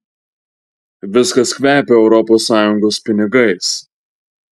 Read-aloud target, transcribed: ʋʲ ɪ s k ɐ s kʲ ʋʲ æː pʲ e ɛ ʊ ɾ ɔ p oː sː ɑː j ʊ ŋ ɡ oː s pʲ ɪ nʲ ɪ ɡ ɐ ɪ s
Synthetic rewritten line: ʋʲ ɪ s k ɐ s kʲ ʋʲ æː pʲ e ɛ ʊ ɾ ɔ p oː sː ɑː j ʊ ŋ ɡ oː s pʲ ɪ nʲ ɪ ɡ ɐ ɪ s

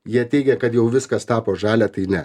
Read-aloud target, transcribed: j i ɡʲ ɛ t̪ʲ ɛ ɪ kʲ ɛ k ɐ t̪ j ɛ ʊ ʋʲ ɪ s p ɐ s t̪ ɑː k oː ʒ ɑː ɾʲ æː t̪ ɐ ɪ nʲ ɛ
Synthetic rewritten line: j i ɛ t̪ʲ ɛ ɪ ɡʲ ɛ k ɐ t̪ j ɛ ʊ ʋʲ ɪ s k ɐ s t̪ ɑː p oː ʒ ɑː lʲ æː t̪ ɐ ɪ nʲ ɛ

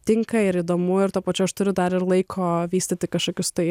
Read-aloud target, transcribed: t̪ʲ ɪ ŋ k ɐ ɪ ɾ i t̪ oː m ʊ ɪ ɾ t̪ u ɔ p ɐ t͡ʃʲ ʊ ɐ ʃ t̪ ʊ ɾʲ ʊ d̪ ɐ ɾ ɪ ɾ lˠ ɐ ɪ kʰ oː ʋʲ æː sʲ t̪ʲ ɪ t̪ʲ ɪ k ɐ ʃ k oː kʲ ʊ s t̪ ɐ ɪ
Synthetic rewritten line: t̪ʲ ɪ ŋ k ɐ ɪ ɾ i d̪ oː m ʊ ɪ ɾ t̪ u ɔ p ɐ t͡ʃʲ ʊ ɐ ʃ t̪ ʊ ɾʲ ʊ d̪ ɐ ɾ ɪ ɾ lˠ ɐ ɪ kʰ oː ʋʲ iː sʲ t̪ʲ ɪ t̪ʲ ɪ k ɐ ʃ k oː kʲ ʊ s t̪ ɐ ɪ

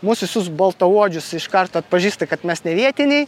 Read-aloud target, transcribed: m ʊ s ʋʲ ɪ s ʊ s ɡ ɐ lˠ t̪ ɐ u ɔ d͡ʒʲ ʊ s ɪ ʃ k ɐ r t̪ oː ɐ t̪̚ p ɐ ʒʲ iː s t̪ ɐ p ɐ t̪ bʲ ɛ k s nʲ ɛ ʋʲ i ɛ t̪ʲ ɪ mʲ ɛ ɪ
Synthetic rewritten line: m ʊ s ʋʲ ɪ s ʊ s b ɐ lˠ t̪ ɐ u ɔ d͡ʒʲ ʊ s ɪ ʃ k ɐ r t̪ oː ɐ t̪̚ p ɐ ʒʲ iː s t̪ ɐ k ɐ t̪ mʲ ɛ s nʲ ɛ ʋʲ i ɛ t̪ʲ ɪ nʲ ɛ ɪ

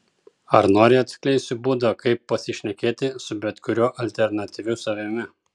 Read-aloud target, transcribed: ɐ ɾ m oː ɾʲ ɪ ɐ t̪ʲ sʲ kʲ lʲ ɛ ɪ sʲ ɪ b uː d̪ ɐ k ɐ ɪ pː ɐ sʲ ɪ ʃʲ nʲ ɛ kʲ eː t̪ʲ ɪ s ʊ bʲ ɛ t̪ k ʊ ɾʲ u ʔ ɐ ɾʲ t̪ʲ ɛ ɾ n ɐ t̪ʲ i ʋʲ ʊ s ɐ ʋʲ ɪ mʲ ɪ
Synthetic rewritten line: ɐ ɾ n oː ɾʲ ɪ ɐ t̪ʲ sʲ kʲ lʲ ɛ ɪ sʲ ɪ b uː d̪ ɐ k ɐ ɪ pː ɐ sʲ ɪ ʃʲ nʲ ɛ kʲ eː t̪ʲ ɪ s ʊ bʲ ɛ t̪ k ʊ ɾʲ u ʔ ɐ lʲ t̪ʲ ɛ ɾ n ɐ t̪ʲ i ʋʲ ʊ s ɐ ʋʲ ɪ mʲ ɪ

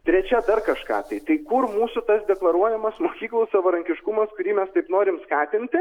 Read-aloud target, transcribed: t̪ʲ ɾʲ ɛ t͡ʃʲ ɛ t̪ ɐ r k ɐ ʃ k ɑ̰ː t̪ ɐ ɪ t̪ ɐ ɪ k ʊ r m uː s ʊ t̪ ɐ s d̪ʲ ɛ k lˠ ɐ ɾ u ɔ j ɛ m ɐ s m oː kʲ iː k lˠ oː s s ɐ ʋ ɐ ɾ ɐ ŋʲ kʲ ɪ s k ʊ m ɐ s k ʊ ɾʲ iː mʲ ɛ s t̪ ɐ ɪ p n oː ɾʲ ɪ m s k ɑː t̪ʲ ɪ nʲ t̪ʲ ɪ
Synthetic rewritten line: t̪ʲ ɾʲ ɛ t͡ʃʲ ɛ d̪ ɐ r k ɐ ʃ k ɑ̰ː t̪ ɐ ɪ t̪ ɐ ɪ k ʊ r m uː s ʊ t̪ ɐ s d̪ʲ ɛ k lˠ ɐ ɾ u ɔ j ɛ m ɐ s m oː kʲ iː k lˠ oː s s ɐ ʋ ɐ ɾ ɐ ŋʲ kʲ ɪ ʃ k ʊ m ɐ s k ʊ ɾʲ iː mʲ ɛ s t̪ ɐ ɪ p n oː ɾʲ ɪ m s k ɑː t̪ʲ ɪ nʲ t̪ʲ ɪ

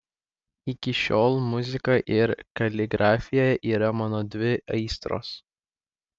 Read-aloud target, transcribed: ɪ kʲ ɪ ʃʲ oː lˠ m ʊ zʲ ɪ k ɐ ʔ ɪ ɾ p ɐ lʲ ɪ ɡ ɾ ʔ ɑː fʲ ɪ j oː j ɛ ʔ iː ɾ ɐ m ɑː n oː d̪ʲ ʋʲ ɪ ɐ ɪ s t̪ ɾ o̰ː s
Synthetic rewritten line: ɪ kʲ ɪ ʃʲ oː lˠ m ʊ zʲ ɪ k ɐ ʔ ɪ ɾ k ɐ lʲ ɪ ɡ ɾ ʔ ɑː fʲ ɪ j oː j ɛ ʔ iː ɾ ɐ m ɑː n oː d̪ʲ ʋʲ ɪ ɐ ɪ s t̪ ɾ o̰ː s

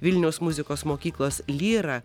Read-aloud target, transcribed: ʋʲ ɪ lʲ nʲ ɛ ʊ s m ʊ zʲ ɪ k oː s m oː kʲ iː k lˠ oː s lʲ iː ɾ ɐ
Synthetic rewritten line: ʋʲ ɪ lʲ nʲ ɛ ʊ s m ʊ zʲ ɪ k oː s m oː kʲ iː k lˠ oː s lʲ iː ɾ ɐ

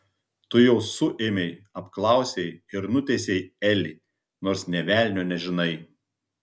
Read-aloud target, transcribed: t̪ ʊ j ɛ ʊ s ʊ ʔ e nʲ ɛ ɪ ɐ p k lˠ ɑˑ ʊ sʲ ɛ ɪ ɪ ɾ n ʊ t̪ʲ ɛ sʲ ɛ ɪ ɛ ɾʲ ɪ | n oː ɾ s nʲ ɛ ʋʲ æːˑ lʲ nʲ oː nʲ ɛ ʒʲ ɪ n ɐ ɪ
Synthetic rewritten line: t̪ ʊ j ɛ ʊ s ʊ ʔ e mʲ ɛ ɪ ɐ p k lˠ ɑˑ ʊ sʲ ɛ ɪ ɪ ɾ n ʊ t̪ʲ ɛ sʲ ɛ ɪ ɛ lʲ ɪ | n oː ɾ s nʲ ɛ ʋʲ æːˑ lʲ nʲ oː nʲ ɛ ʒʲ ɪ n ɐ ɪ

